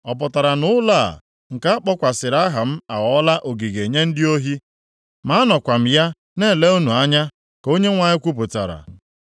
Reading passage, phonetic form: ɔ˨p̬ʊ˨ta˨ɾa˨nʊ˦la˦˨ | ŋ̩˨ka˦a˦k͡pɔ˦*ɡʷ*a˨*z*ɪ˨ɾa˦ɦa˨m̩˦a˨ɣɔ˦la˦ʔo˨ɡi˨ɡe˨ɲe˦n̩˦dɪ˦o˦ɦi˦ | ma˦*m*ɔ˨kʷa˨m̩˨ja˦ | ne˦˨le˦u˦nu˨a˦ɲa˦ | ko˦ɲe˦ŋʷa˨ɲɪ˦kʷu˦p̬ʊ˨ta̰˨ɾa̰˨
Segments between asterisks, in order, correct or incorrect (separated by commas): incorrect, incorrect, incorrect